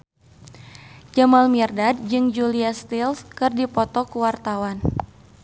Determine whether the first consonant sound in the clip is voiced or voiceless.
voiced